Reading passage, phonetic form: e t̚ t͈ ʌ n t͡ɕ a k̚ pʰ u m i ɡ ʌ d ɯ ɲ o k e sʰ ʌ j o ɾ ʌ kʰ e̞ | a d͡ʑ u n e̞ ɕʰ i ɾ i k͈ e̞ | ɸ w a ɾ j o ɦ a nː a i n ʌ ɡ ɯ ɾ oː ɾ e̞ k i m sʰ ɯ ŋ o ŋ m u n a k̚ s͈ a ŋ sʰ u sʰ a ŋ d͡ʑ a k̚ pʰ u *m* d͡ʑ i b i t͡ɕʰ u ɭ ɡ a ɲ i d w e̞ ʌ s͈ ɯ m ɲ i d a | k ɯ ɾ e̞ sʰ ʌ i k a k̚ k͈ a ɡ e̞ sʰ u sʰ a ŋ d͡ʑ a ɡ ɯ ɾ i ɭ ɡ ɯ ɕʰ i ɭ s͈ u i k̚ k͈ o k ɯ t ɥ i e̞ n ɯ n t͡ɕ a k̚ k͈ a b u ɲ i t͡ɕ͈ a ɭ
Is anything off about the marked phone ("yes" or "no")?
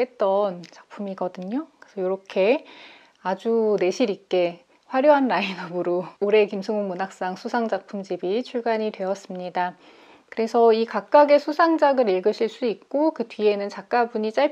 no